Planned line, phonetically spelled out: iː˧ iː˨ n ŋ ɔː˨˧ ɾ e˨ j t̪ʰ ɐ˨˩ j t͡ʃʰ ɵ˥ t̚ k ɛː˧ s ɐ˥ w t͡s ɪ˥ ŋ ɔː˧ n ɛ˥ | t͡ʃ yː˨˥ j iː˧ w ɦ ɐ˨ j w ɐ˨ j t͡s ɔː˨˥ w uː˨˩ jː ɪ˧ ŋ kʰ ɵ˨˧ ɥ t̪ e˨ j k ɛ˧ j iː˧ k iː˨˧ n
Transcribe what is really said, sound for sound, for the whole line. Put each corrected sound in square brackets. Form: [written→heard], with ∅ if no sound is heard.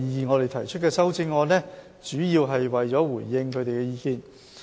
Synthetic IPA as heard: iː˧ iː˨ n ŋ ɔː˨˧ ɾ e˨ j t̪ʰ ɐ˨˩ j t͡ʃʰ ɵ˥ t̚ k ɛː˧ s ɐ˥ w t͡s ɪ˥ ŋ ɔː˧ n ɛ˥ | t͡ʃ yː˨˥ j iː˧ w ɦ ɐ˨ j w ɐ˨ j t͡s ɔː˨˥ w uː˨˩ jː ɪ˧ ŋ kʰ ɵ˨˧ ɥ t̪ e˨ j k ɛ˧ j iː˧ k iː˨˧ n